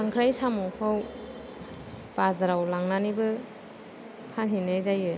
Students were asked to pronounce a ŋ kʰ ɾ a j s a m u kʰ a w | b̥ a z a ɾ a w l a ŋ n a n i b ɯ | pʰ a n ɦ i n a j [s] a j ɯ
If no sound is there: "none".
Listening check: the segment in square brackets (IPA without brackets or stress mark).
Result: z